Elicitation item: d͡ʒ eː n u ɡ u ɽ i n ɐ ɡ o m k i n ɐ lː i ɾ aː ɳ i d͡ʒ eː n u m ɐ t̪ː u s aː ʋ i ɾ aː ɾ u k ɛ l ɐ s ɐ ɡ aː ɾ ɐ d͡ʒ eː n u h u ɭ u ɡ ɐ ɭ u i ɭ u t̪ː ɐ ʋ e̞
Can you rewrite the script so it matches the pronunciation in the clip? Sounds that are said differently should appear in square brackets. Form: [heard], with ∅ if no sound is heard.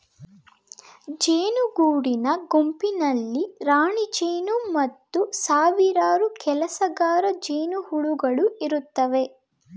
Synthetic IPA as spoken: d͡ʒ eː n u ɡ [uː] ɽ i n ɐ ɡ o m [p] i n ɐ lː i ɾ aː ɳ i d͡ʒ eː n u m ɐ t̪ː u s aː ʋ i ɾ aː ɾ u k ɛ l ɐ s ɐ ɡ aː ɾ ɐ d͡ʒ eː n u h u ɭ u ɡ ɐ ɭ u i [ɾ] u t̪ː ɐ ʋ e̞